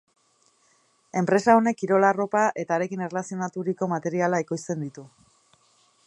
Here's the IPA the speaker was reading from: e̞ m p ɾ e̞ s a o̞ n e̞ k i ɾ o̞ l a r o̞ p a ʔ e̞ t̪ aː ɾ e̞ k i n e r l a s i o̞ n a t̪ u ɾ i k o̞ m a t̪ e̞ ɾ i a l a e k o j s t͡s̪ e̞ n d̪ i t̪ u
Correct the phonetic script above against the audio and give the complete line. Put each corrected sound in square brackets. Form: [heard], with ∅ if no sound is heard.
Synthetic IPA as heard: e̞ m p ɾ e̞ s a o̞ n e̞ k i ɾ o̞ l a r o̞ p a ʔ e̞ t̪ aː ɾ e̞ k i n e r l a s i o̞ n a t̪ u ɾ i k o̞ m a t̪ e̞ ɾ i a l a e k o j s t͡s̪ e̞ n d̪ i t̪ u